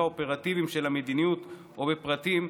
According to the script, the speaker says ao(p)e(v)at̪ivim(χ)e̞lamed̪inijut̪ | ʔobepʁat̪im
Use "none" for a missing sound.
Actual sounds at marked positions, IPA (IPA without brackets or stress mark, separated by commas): p, ʁ, ʃ